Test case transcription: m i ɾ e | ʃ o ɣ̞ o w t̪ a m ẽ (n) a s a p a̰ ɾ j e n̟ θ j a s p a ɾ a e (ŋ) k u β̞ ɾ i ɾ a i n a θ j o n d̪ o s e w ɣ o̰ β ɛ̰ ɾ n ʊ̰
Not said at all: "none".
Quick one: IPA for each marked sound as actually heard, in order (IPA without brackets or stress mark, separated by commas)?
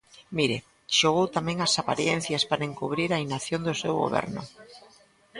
ŋ, ŋ